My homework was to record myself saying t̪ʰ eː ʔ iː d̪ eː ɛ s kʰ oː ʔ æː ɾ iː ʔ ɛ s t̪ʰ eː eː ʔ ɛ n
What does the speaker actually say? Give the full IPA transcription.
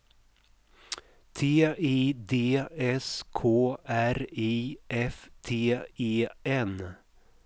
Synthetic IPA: t̪ʰ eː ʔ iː d̪ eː ɛ s kʰ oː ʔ æ ɾ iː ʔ ɛ f t̪ʰ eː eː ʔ ɛ n